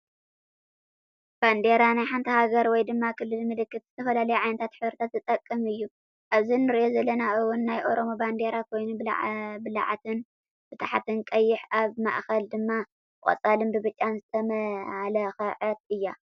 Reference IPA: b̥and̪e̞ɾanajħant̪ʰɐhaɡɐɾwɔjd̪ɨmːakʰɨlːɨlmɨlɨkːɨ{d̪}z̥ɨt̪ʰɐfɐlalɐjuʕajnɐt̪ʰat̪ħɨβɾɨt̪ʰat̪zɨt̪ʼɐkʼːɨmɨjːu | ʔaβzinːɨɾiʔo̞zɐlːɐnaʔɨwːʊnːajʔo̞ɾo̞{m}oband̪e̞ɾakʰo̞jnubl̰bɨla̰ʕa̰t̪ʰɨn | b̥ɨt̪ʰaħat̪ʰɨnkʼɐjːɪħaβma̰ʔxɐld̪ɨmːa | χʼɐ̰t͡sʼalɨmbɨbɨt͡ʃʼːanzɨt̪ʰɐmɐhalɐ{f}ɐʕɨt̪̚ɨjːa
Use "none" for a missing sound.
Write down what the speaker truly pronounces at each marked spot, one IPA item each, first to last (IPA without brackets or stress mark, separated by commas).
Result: t̪, m, x